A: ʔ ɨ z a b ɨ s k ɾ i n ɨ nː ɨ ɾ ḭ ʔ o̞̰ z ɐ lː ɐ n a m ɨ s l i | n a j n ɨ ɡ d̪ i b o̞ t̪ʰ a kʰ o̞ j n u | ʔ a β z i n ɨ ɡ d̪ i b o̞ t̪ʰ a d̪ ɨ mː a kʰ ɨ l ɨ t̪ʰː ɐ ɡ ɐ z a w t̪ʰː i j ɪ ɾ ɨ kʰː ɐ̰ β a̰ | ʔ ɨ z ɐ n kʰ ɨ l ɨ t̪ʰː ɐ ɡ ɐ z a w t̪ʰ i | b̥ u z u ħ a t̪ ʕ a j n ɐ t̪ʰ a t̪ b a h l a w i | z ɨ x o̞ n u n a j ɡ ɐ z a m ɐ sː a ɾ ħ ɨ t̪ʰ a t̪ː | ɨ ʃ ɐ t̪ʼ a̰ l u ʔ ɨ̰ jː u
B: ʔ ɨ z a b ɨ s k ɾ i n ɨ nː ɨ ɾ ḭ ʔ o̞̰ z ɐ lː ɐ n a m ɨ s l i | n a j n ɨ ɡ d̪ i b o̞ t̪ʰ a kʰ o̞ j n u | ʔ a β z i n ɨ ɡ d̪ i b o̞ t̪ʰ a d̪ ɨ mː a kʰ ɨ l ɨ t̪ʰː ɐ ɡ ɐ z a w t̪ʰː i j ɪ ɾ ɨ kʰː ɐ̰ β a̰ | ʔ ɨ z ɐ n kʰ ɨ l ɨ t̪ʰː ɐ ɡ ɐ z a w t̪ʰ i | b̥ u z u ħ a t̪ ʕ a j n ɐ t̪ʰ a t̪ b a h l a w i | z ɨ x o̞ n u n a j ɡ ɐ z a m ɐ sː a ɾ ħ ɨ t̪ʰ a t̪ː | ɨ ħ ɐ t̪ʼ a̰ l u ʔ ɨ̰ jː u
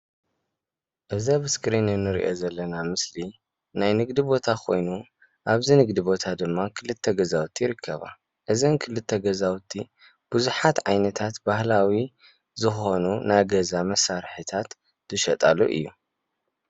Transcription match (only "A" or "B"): A